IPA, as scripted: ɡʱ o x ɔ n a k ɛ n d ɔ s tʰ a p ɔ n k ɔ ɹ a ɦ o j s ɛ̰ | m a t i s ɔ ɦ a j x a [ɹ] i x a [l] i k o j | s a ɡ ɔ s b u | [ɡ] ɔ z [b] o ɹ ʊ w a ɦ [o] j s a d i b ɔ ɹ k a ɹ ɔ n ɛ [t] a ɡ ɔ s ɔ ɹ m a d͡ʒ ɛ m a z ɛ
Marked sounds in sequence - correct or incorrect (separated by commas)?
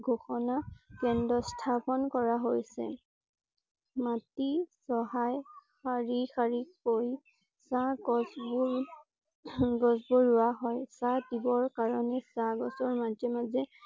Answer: correct, incorrect, correct, correct, incorrect, incorrect